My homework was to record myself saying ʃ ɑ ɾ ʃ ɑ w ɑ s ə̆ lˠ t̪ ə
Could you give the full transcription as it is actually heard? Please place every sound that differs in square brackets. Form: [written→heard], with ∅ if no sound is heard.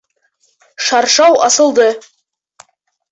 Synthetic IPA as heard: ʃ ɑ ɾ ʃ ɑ w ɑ s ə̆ lˠ [t̪→d̪] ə